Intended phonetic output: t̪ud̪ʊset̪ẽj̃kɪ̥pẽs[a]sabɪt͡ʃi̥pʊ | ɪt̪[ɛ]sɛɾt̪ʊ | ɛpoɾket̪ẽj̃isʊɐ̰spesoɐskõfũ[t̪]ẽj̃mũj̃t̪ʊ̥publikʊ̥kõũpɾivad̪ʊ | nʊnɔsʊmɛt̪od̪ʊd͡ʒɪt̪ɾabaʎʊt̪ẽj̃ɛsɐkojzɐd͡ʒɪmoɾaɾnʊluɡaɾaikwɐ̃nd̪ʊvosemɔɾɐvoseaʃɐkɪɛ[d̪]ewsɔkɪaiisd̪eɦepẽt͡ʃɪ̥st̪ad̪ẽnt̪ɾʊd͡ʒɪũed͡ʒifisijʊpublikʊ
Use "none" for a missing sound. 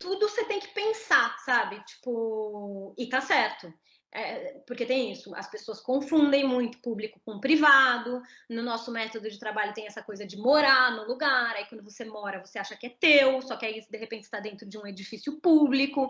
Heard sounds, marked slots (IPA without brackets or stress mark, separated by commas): a, a, d̪, t̪